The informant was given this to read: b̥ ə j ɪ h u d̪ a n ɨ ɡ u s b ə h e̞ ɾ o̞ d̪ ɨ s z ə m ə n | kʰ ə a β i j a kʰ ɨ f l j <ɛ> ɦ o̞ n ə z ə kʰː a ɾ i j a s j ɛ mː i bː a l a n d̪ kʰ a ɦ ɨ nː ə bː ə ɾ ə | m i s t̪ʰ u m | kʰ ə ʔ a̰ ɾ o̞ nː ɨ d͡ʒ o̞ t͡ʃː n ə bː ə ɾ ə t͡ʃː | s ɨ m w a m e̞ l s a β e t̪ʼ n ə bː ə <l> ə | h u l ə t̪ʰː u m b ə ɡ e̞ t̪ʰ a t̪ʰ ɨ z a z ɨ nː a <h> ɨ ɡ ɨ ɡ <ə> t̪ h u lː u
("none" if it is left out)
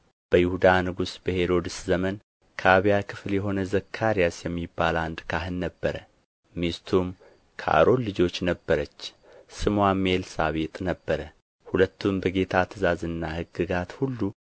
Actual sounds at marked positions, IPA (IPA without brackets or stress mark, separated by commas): ɛ, ɾ, h, a